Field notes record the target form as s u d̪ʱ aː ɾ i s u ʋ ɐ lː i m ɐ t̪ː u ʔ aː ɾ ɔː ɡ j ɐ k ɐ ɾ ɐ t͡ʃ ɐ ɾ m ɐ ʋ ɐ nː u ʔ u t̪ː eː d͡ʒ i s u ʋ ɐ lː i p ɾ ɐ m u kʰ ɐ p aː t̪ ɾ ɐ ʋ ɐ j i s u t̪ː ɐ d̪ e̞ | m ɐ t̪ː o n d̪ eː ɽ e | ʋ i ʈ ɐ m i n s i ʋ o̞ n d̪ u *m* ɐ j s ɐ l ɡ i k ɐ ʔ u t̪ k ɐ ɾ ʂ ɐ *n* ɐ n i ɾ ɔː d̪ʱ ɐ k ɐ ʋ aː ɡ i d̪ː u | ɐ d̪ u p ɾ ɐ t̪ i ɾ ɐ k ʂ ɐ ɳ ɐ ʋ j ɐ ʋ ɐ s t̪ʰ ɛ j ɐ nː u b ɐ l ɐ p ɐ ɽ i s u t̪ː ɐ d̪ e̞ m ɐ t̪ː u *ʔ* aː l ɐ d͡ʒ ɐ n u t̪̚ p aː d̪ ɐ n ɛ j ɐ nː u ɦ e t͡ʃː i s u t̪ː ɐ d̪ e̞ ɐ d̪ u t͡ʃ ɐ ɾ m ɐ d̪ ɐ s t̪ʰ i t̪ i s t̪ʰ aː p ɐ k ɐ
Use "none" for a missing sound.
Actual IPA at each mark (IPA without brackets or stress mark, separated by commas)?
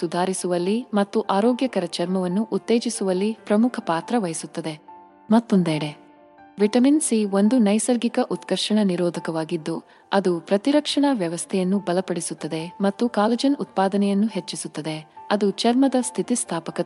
n, ɳ, k